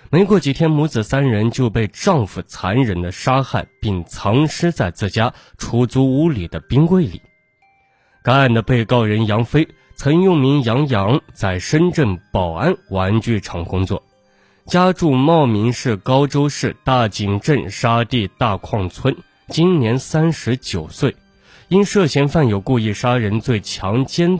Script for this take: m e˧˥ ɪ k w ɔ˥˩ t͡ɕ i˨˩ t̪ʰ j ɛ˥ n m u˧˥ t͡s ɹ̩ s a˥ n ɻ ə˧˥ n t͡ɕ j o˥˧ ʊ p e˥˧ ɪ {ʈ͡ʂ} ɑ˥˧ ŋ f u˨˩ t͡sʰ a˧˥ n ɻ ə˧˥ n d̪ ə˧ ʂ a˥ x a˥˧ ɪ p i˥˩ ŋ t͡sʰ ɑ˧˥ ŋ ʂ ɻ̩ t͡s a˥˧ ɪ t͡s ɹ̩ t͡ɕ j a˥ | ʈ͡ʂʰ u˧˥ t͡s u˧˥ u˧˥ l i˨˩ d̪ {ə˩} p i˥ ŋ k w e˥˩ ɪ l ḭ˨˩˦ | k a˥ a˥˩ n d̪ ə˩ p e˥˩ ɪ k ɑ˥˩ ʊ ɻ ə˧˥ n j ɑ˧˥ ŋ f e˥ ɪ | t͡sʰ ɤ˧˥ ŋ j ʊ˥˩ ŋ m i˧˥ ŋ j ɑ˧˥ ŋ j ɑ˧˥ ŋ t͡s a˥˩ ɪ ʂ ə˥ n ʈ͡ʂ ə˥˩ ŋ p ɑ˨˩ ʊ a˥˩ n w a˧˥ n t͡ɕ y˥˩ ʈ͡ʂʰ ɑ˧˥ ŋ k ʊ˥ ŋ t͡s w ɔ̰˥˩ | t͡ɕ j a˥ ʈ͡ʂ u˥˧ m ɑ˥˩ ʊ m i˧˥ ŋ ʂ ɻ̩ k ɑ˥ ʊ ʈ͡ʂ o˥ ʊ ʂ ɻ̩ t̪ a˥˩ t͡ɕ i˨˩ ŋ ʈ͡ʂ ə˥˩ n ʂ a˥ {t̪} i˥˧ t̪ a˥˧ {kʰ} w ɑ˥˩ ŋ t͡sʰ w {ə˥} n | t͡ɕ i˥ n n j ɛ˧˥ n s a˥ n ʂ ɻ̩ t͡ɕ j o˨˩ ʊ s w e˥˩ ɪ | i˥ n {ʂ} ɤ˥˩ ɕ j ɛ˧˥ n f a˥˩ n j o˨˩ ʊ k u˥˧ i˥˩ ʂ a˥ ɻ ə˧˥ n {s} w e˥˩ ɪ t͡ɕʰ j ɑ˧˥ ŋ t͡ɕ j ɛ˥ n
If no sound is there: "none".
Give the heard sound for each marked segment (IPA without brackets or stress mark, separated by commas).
ʈ͡ʂ, ə˦, t̪, kʰ, ə˥, ʂ, t͡s